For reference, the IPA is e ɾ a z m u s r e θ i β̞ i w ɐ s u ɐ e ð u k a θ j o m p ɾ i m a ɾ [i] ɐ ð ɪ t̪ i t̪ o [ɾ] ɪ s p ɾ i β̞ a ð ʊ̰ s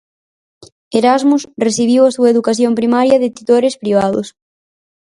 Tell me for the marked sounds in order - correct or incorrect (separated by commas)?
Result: incorrect, correct